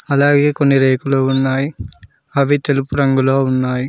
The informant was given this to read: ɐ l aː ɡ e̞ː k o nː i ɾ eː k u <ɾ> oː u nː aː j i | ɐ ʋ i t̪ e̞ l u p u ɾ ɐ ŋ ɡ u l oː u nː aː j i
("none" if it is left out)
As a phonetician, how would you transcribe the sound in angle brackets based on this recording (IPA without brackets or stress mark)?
l